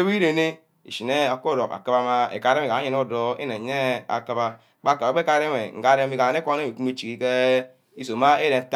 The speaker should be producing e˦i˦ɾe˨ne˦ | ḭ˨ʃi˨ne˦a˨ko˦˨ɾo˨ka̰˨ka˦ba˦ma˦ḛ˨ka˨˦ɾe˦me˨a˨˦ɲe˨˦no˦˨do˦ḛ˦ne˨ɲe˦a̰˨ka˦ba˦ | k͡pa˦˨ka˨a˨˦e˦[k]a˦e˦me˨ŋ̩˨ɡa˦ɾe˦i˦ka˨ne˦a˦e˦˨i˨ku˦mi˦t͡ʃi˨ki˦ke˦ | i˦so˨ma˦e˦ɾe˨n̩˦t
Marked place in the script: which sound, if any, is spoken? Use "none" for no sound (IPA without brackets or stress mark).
k